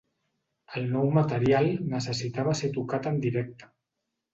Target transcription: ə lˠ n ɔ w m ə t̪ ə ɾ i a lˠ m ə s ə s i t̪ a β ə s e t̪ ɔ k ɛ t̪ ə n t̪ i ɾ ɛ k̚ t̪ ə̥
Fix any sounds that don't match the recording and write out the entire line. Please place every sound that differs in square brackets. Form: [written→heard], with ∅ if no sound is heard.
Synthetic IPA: ə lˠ n ɔ w m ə t̪ ə ɾ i a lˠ [m→n] ə s ə s i t̪ a β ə s e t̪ [ɔ→u] k [ɛ→a] t̪ ə n [t̪→d̪] i ɾ ɛ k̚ t̪ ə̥